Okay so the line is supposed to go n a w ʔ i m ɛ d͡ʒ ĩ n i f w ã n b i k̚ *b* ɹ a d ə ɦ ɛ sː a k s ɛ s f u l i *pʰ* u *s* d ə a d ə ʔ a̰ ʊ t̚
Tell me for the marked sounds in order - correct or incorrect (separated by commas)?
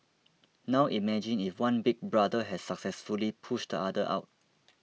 correct, correct, incorrect